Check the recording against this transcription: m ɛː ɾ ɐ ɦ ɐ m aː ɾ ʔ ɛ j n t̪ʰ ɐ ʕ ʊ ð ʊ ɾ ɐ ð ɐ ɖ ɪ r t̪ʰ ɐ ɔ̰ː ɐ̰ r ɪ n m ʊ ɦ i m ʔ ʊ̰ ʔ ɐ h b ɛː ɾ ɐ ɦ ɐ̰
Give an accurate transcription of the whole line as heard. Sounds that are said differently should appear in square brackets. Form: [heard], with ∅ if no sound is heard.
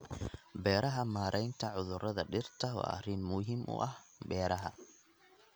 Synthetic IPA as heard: [b] ɛː ɾ ɐ ɦ ɐ m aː ɾ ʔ ɛ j n t̪ʰ ɐ ʕ ʊ ð ʊ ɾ ɐ ð ɐ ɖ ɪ r t̪ʰ ɐ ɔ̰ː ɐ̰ r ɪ n m ʊ ɦ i m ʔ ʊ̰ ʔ ɐ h b ɛː ɾ ɐ ɦ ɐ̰